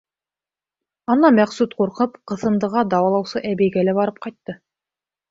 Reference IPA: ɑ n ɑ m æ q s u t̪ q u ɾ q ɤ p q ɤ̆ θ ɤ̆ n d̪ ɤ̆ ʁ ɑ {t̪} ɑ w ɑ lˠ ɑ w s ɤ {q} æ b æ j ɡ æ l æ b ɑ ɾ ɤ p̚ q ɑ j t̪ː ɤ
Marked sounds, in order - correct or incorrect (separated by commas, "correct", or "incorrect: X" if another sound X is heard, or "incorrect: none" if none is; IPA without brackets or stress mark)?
incorrect: d̪, incorrect: ʔ